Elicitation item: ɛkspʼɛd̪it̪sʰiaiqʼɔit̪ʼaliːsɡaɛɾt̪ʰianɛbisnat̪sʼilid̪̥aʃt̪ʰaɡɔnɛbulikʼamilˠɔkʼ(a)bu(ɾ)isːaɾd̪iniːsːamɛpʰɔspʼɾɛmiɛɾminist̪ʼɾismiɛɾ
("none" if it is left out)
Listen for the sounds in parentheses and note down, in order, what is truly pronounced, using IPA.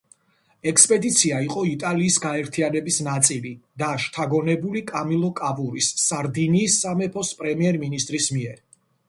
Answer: a, ɾ

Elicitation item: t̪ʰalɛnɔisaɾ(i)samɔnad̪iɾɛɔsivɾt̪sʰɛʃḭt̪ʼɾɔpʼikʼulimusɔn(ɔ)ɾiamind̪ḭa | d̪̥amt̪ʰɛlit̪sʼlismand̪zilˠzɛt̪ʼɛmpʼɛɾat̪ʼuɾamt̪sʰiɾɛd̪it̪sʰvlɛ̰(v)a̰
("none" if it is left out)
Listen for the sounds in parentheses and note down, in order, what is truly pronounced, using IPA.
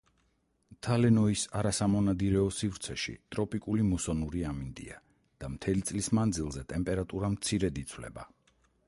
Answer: a, u, b

